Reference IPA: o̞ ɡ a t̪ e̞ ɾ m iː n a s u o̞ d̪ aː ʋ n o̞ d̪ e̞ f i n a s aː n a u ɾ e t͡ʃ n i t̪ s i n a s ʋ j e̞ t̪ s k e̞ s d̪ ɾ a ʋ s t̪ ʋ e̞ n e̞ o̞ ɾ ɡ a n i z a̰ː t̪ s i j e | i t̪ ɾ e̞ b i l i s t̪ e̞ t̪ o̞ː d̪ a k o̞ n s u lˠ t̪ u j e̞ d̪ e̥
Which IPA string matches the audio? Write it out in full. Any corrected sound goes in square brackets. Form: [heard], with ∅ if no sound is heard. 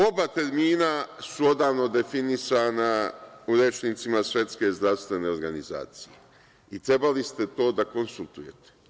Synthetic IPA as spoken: o̞ [b] a t̪ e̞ ɾ m iː n a s u o̞ d̪ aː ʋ n o̞ d̪ e̞ f i n [i] s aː n a u ɾ e t͡ʃ n i t̪ s i [m] a s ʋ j e̞ t̪ s k e̞ [z] d̪ ɾ a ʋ s t̪ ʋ e̞ n e̞ o̞ ɾ ɡ a n i z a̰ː t̪ s i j e | i t̪ ɾ e̞ b [a] l i s t̪ e̞ t̪ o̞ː d̪ a k o̞ n s u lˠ t̪ u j e̞ [t̪] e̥